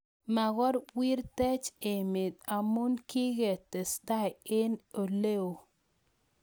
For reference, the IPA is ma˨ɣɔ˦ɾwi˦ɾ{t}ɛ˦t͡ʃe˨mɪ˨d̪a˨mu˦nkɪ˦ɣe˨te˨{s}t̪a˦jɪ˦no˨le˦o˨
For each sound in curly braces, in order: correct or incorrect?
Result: correct, correct

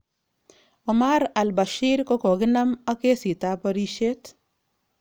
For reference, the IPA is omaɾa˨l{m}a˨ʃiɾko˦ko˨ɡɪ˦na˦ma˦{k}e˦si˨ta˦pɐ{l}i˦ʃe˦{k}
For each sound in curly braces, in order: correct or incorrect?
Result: incorrect: b, correct, incorrect: ɾ, incorrect: t

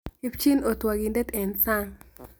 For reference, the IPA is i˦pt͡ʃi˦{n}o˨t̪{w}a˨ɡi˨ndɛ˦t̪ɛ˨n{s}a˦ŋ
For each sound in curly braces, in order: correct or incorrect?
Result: correct, correct, correct

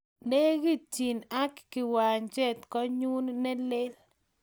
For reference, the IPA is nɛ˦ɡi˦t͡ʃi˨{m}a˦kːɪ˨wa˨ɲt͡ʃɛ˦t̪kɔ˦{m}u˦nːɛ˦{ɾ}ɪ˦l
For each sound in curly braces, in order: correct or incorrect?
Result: incorrect: n, incorrect: ɲ, incorrect: l

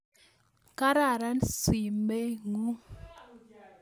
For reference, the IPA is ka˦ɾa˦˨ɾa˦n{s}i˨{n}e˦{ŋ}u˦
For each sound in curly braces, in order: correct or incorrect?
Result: correct, incorrect: m, correct

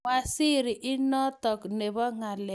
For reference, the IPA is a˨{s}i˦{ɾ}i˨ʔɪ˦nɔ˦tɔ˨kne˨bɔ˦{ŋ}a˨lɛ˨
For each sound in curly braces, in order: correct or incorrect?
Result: correct, correct, correct

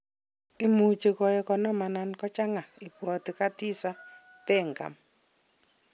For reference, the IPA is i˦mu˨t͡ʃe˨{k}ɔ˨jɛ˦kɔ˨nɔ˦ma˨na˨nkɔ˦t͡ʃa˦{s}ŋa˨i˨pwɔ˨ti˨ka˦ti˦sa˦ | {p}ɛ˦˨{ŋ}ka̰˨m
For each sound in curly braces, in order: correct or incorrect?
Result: correct, incorrect: none, correct, correct

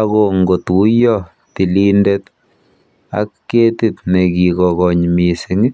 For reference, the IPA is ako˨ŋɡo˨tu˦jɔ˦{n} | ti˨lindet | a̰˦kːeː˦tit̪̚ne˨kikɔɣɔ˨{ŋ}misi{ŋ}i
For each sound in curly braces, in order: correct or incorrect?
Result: incorrect: none, incorrect: ɲ, correct

